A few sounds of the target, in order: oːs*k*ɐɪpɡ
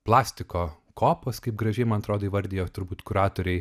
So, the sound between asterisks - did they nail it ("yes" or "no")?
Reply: yes